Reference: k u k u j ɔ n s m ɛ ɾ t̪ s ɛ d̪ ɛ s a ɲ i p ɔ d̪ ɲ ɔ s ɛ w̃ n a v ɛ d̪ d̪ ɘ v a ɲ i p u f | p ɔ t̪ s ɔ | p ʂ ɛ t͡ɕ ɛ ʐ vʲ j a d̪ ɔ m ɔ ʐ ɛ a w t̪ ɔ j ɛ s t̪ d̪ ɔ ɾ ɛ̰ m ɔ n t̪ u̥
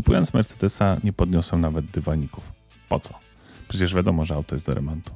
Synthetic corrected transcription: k u p u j ɔ n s m ɛ ɾ t̪ s ɛ d̪ ɛ s a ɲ ɛ p ɔ d̪ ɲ ɔ s ɛ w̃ n a v ɛ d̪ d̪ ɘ v a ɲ i k u f | p ɔ t̪ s ɔ | p ʂ ɛ t͡ɕ ɛ ʐ vʲ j a d̪ ɔ m ɔ ʐ ɛ a w t̪ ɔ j ɛ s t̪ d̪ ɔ ɾ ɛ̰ m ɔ n t̪ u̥